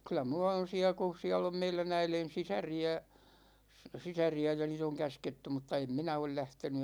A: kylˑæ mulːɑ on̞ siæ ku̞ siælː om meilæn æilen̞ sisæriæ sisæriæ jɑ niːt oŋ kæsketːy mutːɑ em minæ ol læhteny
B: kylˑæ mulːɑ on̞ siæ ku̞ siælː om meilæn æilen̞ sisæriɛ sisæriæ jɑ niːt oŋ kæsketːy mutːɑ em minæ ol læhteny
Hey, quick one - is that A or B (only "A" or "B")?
A